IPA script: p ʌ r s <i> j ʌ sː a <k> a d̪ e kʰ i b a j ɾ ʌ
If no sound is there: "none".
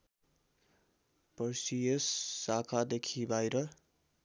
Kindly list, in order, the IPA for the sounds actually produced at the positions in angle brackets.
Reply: i, kʰ

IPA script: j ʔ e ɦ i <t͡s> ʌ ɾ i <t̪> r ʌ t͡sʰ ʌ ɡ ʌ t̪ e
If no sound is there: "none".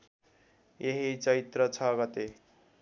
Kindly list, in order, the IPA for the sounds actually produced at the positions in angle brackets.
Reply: t͡s, t̪

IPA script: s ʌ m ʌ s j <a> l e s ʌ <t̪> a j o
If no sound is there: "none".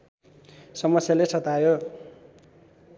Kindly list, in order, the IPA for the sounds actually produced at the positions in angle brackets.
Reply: a, t̪

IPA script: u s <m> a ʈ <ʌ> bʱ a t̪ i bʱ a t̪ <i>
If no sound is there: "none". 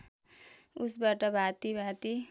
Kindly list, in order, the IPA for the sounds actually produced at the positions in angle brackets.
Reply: b, ʌ, i

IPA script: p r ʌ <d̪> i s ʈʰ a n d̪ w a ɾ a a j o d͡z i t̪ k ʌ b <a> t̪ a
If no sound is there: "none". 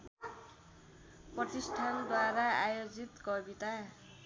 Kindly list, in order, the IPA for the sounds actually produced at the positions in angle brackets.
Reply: t̪, i

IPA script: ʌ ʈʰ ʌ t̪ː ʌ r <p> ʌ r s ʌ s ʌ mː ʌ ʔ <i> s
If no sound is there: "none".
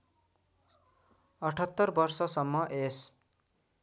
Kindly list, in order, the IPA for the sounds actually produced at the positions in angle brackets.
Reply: b, e

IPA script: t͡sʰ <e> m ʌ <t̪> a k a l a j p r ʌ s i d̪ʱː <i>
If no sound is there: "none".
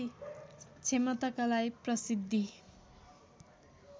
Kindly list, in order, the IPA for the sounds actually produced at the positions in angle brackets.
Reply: e, t̪, i

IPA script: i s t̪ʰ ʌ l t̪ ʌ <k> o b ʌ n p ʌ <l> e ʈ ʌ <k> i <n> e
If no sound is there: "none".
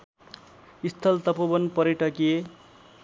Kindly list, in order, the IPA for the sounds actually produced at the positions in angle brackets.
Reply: p, ɾ, k, none

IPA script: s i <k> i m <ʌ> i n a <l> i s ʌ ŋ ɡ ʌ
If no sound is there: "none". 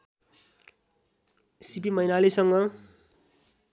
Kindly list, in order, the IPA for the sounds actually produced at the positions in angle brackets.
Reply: p, ʌ, l

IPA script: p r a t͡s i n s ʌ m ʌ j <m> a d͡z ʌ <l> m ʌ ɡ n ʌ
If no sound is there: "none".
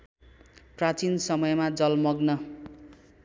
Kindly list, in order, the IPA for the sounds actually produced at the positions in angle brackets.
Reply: m, l

